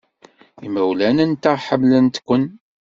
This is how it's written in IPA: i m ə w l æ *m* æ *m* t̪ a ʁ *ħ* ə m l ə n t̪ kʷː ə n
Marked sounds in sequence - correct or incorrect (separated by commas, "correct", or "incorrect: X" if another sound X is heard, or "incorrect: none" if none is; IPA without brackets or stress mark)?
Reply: incorrect: n, incorrect: n, correct